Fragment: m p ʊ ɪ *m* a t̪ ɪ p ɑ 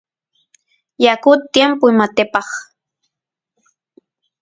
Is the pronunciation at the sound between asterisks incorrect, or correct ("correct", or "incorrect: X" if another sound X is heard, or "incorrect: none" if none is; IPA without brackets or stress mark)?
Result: correct